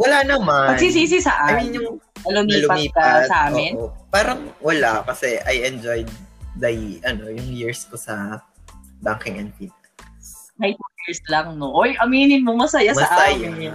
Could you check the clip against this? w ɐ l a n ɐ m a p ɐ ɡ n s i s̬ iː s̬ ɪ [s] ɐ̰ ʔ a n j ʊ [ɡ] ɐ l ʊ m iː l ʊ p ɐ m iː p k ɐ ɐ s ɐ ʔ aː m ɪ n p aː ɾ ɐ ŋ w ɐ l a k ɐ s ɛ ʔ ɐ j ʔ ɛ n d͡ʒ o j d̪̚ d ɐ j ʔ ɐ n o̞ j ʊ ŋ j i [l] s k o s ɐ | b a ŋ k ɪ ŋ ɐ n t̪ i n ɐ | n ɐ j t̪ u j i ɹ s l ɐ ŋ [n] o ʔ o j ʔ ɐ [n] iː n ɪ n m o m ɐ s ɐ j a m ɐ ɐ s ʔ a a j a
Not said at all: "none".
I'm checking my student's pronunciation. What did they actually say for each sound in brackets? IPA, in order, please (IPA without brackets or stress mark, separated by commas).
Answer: s, ŋ, ɹ, n, m